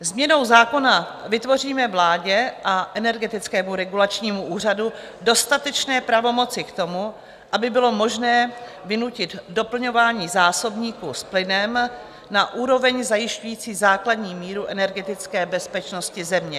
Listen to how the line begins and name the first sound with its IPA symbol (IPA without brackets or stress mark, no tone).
z